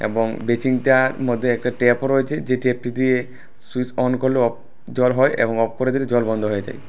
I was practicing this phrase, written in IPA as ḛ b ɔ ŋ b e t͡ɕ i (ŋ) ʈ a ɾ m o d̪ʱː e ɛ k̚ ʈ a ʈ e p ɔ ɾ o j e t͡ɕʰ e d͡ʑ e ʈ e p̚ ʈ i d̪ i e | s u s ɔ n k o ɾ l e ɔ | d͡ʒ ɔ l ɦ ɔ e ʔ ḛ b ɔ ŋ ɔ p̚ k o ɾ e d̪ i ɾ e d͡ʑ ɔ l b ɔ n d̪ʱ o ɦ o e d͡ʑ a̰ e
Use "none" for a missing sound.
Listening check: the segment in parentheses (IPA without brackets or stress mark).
ŋ